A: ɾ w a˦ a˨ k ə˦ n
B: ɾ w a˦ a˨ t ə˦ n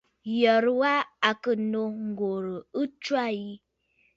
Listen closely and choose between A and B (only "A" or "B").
A